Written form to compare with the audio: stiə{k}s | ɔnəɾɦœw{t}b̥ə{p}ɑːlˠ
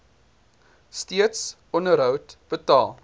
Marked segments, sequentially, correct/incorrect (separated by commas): incorrect, correct, incorrect